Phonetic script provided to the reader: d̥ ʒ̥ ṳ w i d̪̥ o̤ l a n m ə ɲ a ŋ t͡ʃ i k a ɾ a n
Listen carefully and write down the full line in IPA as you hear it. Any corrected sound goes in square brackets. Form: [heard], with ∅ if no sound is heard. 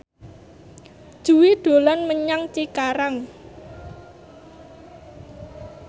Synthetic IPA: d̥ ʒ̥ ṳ w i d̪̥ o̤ l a n m ə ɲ a ŋ t͡ʃ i k a ɾ a [ŋ]